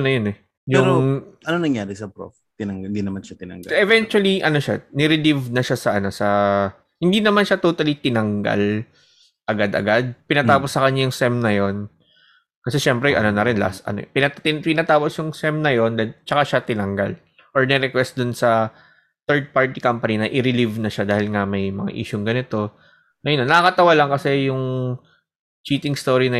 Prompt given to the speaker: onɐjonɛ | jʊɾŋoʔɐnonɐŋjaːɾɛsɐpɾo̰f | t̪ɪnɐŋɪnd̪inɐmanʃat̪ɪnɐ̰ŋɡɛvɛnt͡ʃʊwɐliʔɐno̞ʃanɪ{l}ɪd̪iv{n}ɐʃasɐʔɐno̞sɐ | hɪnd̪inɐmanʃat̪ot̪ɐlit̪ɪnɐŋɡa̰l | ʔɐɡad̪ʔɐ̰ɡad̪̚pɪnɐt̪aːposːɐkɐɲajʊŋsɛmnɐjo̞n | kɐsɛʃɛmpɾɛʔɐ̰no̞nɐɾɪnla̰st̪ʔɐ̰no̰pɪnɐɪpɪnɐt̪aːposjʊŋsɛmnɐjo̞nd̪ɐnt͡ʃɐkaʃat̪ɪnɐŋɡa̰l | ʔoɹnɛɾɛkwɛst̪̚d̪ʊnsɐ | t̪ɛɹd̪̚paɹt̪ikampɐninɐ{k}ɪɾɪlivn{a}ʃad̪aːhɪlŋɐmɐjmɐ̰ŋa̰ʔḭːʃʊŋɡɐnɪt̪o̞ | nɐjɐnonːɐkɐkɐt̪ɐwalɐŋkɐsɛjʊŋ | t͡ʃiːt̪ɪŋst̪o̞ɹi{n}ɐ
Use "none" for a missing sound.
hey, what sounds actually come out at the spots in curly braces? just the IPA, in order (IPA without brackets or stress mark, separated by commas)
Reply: ɾ, n, ʔ, ɐ, n